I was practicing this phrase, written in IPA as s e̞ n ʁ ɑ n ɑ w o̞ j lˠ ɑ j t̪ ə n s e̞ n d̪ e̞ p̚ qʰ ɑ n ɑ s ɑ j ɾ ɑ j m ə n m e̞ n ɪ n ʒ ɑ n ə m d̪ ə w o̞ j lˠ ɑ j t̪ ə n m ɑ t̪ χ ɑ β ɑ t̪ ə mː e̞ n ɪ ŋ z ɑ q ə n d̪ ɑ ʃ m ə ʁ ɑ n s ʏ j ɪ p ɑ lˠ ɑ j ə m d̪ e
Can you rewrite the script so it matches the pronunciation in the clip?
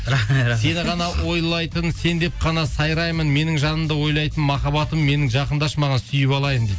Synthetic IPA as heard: s e̞ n ʁ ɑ n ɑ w o̞ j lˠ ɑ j t̪ ə n s e̞ n d̪ e̞ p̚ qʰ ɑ n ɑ s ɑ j ɾ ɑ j m ə n m e̞ n ɪ ŋ ʒ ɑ n ə m d̪ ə w o̞ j lˠ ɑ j t̪ ə n m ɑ χ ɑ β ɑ t̪ ə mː e̞ n ɪ ŋ ʒ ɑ q ə n d̪ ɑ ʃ m ɑ ʁ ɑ n s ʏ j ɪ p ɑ lˠ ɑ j ə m d̪ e